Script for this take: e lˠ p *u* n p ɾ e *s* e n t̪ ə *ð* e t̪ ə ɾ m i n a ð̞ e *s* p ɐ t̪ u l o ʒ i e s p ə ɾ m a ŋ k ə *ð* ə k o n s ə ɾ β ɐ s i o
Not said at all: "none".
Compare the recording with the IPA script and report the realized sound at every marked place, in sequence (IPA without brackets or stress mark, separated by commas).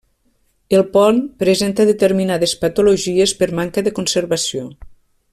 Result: ɔ, z, ð, s, ð